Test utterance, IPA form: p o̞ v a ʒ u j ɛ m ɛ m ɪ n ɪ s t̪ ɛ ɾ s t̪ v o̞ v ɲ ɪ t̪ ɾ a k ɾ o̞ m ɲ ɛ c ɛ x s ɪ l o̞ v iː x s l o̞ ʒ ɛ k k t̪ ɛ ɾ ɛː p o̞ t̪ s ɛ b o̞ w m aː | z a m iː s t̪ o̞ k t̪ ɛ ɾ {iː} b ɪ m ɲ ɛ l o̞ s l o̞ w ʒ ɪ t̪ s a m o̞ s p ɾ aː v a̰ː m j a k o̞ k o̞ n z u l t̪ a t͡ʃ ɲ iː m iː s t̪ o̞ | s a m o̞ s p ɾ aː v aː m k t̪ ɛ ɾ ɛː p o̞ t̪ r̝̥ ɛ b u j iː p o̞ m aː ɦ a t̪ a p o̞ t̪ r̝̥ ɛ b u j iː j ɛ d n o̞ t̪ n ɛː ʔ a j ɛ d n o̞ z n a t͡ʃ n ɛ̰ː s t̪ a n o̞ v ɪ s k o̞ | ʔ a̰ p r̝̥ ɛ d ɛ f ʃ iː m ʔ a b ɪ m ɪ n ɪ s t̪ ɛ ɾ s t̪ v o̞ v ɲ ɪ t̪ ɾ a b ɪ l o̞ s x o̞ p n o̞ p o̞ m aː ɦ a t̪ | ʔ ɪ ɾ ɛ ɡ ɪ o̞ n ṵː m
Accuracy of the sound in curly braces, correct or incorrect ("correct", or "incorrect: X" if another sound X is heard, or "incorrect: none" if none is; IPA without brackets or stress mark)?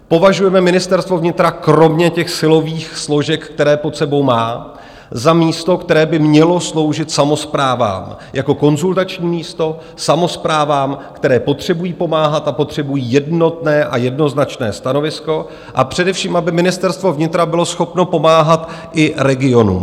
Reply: incorrect: ɛː